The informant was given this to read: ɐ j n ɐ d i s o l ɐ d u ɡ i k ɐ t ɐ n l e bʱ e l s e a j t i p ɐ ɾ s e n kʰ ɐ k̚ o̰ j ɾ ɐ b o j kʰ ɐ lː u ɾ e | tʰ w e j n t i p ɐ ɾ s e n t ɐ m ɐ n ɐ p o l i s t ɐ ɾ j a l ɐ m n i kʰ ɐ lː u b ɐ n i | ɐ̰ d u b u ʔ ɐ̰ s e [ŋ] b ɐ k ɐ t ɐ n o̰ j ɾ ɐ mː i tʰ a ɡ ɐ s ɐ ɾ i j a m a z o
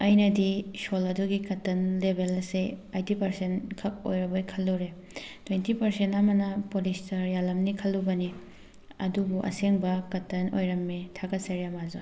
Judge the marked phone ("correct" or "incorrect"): correct